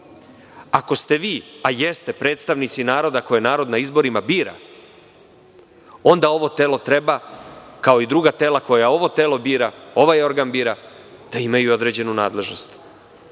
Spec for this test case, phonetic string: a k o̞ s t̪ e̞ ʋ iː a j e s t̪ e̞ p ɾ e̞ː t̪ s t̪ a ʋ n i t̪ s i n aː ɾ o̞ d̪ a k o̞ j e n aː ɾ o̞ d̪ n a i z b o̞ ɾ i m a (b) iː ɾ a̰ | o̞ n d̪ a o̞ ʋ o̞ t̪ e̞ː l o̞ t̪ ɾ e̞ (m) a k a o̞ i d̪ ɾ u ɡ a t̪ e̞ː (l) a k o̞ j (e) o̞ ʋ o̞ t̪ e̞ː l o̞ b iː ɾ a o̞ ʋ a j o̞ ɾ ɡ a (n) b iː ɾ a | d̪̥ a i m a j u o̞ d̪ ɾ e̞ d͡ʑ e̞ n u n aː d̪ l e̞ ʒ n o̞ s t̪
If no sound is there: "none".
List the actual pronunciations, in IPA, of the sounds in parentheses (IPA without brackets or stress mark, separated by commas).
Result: b, b, l, a, n